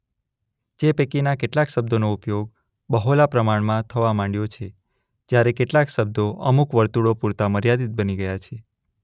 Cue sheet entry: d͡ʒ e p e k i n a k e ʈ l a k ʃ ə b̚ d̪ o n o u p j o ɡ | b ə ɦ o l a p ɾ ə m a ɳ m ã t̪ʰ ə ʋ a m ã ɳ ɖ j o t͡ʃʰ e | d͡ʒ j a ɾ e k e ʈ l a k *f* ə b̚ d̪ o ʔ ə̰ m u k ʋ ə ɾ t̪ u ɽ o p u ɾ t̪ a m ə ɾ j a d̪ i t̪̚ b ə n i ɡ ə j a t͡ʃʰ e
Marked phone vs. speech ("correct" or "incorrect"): incorrect